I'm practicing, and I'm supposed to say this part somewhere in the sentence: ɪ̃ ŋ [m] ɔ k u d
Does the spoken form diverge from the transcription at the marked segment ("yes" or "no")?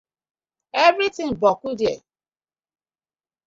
yes